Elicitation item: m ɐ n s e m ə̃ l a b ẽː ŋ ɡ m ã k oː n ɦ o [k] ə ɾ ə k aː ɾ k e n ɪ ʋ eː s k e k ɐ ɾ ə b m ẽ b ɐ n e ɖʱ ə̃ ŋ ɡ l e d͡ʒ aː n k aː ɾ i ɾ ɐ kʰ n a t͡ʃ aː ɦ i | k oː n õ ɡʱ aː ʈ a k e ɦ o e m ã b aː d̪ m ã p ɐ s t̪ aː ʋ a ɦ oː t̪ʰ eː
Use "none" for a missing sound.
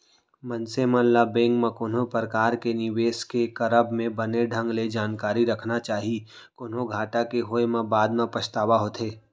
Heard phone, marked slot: p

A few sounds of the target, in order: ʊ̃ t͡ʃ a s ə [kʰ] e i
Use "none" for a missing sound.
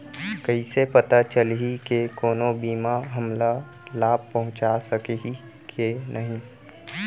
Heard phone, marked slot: k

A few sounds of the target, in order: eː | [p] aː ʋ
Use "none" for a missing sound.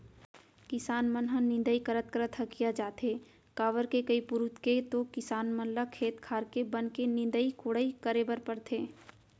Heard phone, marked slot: k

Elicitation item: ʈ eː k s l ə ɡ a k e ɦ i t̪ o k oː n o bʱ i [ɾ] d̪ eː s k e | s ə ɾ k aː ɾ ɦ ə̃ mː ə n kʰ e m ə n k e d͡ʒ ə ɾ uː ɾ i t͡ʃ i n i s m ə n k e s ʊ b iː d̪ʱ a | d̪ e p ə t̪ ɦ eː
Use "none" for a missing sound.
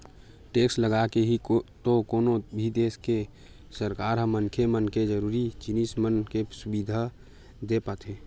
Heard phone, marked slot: none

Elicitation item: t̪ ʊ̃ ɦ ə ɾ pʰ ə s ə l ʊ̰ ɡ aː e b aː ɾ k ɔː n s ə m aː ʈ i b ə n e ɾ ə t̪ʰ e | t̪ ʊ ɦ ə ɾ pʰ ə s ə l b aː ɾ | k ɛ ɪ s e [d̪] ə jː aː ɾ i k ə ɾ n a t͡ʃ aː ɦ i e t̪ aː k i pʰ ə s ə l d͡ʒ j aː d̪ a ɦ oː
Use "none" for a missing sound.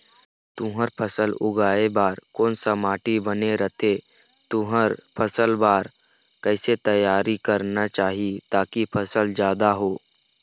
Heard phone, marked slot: t̪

